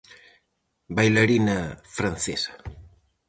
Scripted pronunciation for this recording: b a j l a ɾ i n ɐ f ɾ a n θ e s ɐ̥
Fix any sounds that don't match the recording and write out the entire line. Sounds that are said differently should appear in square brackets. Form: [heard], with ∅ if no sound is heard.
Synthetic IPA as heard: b a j l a ɾ i n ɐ f ɾ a n θ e s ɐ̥